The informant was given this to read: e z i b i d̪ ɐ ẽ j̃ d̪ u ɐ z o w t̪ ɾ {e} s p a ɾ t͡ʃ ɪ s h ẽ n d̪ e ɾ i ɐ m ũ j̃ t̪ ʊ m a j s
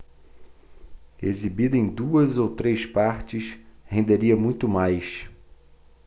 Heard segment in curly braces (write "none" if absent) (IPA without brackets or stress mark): e